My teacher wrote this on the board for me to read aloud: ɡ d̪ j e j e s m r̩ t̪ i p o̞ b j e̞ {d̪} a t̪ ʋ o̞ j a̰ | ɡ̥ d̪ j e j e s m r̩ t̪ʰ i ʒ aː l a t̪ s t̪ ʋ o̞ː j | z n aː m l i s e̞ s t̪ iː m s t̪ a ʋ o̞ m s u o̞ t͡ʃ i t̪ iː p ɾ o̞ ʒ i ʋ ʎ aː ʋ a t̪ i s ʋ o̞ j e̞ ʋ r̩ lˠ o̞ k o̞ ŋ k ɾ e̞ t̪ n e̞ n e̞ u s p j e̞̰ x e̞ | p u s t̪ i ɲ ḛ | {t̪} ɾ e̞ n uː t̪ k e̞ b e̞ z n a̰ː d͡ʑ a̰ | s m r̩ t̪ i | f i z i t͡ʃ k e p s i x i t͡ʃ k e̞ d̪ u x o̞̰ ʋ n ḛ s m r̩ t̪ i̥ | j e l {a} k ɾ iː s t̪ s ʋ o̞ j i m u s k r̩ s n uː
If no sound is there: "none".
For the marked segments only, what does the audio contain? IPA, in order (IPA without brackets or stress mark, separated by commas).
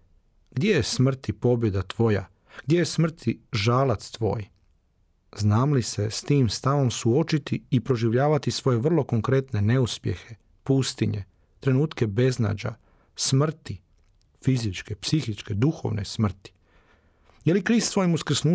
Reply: d̪, t̪, i